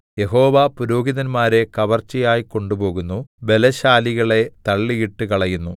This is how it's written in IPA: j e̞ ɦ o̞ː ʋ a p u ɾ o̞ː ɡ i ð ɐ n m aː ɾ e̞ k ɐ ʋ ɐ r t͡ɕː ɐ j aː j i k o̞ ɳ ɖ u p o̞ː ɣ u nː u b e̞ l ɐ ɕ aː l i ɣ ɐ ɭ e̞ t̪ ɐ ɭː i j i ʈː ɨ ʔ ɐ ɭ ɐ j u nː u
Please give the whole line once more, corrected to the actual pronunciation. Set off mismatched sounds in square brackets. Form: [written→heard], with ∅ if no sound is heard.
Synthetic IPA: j e̞ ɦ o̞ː ʋ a p u ɾ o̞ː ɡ i ð ɐ n m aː ɾ e̞ k ɐ ʋ ɐ r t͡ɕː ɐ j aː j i k o̞ ɳ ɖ u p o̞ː ɣ u nː u b e̞ l ɐ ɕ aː l i ɣ ɐ ɭ e̞ t̪ ɐ ɭː i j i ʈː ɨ [ʔ→k] ɐ ɭ ɐ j u nː u

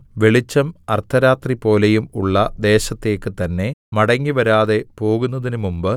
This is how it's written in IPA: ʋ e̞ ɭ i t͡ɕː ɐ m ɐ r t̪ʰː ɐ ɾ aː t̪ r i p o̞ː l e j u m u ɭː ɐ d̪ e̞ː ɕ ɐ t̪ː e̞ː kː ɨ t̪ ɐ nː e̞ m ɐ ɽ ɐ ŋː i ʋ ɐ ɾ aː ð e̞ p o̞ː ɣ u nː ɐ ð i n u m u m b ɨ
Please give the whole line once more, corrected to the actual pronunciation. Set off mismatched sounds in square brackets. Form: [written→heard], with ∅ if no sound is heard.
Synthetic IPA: ʋ e̞ ɭ i t͡ɕː ɐ m ɐ r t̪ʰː ɐ ɾ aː t̪ r i p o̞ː l e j u m u ɭː ɐ d̪ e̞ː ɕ ɐ t̪ː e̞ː kː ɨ t̪ ɐ nː e̞ m ɐ ɽ ɐ ŋː i ʋ ɐ ɾ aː ð e̞ p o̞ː ɣ u nː ɐ ð i n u m u m b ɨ

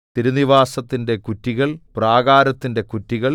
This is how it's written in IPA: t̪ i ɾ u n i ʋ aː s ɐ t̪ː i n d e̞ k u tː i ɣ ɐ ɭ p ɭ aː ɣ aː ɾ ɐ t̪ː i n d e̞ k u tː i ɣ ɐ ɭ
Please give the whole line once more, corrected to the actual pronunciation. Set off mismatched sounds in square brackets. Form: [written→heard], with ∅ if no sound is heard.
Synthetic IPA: t̪ i ɾ u n i ʋ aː s ɐ t̪ː i n d e̞ k u tː i ɣ ɐ ɭ p [ɭ→r] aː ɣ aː ɾ ɐ t̪ː i n d e̞ k u tː i ɣ ɐ ɭ

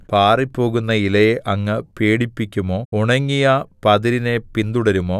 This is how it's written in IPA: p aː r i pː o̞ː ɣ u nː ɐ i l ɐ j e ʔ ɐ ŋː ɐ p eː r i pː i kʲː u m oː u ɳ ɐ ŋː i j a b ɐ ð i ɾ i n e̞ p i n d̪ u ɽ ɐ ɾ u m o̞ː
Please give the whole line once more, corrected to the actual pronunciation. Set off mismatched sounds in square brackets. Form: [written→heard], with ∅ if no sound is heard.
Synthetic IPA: p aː r i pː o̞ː ɣ u nː ɐ i l ɐ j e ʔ ɐ ŋː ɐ p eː [r→ɽ] i pː i kʲː u m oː u ɳ ɐ ŋː i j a [b→p] ɐ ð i ɾ i n e̞ p i n d̪ u ɽ ɐ ɾ u m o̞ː

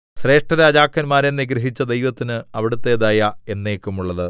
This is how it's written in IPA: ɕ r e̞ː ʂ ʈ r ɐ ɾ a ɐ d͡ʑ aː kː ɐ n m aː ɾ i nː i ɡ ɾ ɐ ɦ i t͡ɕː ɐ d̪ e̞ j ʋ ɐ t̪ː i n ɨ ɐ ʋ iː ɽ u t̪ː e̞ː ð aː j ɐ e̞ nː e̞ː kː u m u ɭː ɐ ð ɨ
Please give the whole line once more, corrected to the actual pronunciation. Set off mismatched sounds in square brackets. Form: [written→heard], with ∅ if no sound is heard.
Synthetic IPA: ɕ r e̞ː ʂ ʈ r ɐ ɾ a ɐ d͡ʑ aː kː ɐ n m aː ɾ [i→e] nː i ɡ ɾ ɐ ɦ i t͡ɕː ɐ d̪ e̞ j ʋ ɐ t̪ː i n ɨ ɐ ʋ [iː→i] ɽ u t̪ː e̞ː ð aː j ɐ e̞ nː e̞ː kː u m u ɭː ɐ ð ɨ

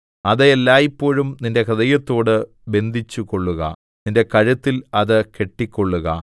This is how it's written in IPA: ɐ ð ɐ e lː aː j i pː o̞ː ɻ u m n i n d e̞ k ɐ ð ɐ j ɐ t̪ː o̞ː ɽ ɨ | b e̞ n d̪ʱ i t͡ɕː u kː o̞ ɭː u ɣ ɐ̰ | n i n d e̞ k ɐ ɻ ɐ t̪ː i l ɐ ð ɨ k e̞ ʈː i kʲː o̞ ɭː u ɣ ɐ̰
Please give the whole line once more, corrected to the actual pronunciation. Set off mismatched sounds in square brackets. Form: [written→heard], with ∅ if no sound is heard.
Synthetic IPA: ɐ ð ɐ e lː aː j i pː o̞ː ɻ u m n i n d e̞ k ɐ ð ɐ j ɐ t̪ː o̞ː ɽ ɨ | b e̞ n d̪ʱ i t͡ɕː u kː o̞ ɭː u ɣ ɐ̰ | n i n d e̞ k ɐ ɻ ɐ t̪ː i l ɐ ð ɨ k e̞ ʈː i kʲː o̞ ɭː u ɣ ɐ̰

